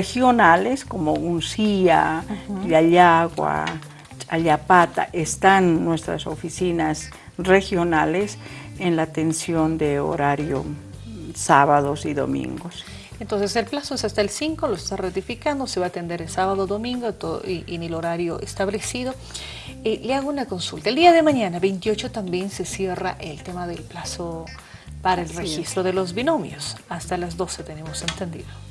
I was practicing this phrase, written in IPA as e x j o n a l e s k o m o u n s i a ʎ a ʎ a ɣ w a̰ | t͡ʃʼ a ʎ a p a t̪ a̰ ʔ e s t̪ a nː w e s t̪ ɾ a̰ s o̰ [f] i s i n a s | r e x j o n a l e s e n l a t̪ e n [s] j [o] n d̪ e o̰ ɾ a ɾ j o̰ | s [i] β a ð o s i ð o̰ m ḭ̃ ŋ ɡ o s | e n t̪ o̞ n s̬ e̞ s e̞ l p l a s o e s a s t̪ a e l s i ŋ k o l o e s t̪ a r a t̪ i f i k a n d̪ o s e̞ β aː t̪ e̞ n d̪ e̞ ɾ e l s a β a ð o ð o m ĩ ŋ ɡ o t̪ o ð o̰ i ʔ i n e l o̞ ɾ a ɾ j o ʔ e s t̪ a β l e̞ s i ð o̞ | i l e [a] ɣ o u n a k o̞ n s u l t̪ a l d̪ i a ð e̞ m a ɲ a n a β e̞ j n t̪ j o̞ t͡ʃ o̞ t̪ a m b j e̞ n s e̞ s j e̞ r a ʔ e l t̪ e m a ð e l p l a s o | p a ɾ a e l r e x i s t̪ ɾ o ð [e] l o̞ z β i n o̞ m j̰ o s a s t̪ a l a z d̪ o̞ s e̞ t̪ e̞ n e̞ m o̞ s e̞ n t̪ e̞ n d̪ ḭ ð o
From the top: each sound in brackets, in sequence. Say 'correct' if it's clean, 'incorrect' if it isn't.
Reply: correct, correct, correct, incorrect: a, correct, correct

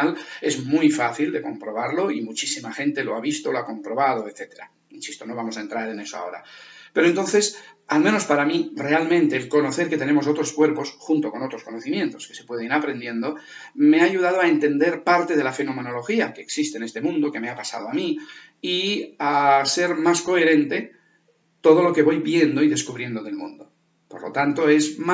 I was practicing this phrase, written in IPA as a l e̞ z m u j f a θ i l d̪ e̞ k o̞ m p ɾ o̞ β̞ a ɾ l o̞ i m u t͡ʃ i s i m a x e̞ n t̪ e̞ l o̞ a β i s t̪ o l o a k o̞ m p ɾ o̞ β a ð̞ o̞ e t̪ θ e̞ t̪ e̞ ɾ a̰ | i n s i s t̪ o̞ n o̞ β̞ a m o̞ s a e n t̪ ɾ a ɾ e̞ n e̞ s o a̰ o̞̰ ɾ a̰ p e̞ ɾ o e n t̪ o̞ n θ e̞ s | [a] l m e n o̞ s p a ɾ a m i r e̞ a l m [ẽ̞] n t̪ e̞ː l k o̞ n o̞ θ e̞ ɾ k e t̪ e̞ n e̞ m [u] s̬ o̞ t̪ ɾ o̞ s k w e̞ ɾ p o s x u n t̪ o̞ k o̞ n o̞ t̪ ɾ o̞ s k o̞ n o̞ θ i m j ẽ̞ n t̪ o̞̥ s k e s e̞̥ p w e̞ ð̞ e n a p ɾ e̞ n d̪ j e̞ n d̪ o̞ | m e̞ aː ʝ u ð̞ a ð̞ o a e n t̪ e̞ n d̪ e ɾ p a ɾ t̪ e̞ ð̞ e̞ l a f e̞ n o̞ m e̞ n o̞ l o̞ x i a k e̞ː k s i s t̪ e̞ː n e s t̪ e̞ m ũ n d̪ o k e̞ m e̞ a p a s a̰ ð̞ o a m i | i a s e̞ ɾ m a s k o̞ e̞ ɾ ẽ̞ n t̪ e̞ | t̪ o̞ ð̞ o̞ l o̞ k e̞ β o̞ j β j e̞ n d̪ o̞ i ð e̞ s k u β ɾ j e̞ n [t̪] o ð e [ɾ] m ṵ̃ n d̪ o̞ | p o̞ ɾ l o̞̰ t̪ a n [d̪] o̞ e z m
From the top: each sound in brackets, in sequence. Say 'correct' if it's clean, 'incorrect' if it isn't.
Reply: correct, correct, incorrect: o, incorrect: d̪, incorrect: l, incorrect: t̪

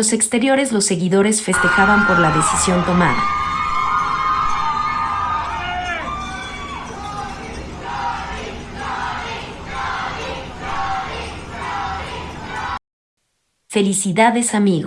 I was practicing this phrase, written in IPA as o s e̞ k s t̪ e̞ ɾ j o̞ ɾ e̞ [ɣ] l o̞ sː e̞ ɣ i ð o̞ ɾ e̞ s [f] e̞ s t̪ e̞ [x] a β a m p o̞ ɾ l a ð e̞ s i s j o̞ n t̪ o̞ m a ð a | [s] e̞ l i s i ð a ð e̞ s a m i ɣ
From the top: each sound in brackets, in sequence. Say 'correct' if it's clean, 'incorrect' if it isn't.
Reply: incorrect: z, correct, correct, incorrect: f

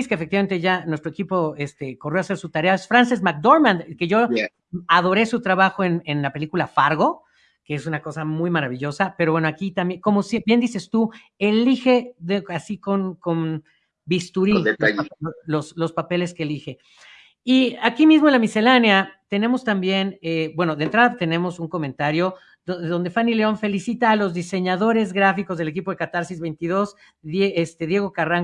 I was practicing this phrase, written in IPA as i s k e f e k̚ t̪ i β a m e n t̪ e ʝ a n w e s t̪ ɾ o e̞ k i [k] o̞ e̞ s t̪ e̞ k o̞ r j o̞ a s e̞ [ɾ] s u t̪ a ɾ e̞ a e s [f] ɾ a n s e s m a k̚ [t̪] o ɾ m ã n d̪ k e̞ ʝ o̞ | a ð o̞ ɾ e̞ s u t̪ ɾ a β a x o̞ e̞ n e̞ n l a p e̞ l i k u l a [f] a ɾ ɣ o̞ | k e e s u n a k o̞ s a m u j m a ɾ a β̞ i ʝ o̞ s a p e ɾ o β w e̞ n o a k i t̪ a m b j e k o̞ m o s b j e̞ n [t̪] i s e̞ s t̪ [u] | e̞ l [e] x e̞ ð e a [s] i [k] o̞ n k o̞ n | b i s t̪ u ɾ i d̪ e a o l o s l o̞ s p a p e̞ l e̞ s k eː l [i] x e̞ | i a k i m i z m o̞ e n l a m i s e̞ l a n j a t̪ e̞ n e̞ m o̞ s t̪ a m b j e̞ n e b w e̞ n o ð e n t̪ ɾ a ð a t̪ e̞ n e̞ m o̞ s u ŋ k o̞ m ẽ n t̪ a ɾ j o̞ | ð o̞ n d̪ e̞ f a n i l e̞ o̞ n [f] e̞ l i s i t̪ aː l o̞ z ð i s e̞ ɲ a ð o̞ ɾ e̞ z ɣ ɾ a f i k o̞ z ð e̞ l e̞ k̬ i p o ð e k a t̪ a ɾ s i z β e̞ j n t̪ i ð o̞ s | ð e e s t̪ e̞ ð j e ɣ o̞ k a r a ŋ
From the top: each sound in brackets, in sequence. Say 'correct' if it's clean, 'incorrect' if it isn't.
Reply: incorrect: p, correct, correct, incorrect: d̪, correct, incorrect: d̪, correct, incorrect: i, correct, correct, correct, correct

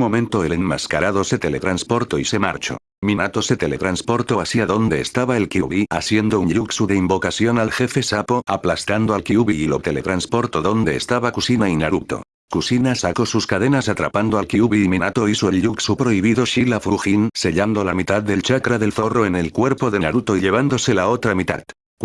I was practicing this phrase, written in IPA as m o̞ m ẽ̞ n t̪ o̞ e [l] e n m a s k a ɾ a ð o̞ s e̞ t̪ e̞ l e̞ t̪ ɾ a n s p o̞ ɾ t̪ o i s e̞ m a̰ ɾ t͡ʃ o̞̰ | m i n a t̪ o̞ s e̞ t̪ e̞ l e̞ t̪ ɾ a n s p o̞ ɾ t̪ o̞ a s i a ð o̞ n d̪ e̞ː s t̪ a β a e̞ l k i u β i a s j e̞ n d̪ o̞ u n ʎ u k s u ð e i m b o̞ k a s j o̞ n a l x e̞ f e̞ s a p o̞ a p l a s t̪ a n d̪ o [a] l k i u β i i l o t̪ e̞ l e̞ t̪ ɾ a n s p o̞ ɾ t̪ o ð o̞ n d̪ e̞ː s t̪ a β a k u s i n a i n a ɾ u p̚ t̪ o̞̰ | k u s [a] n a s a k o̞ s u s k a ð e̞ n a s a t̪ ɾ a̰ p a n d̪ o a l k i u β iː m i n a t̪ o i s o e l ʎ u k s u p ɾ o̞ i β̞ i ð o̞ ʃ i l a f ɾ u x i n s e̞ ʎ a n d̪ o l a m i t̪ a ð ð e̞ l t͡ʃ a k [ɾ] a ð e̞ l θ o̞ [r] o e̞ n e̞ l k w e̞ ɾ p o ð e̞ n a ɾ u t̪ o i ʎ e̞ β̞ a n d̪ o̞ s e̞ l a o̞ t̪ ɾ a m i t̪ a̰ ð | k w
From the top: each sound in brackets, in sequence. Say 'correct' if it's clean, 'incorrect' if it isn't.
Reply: correct, correct, incorrect: i, correct, correct

